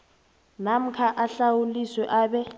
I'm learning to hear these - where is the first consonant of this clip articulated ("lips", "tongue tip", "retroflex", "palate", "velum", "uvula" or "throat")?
tongue tip